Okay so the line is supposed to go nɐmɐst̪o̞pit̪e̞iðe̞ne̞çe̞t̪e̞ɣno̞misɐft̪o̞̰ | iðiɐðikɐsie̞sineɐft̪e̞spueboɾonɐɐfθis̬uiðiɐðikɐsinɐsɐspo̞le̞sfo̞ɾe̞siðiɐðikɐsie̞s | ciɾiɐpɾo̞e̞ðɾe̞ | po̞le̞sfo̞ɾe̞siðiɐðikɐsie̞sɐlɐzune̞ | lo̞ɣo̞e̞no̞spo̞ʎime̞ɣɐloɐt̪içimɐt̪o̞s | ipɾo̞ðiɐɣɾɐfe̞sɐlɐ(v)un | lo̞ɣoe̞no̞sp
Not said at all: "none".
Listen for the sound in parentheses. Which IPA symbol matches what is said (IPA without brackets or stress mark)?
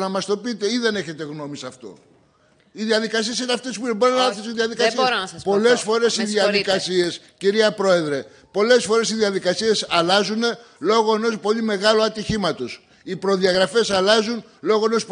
z